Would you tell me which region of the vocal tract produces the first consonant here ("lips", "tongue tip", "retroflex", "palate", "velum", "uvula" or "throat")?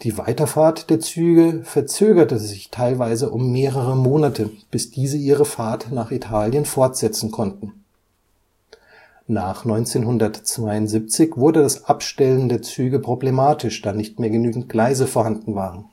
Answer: tongue tip